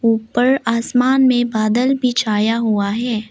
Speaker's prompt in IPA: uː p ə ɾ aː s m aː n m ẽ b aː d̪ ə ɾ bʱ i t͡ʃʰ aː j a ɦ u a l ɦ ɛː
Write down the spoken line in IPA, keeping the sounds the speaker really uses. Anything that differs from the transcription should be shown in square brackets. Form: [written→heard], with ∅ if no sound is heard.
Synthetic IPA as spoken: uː p ə ɾ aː s m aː n m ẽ b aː d̪ ə [ɾ→l] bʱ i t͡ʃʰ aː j a ɦ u a [l→∅] ɦ ɛː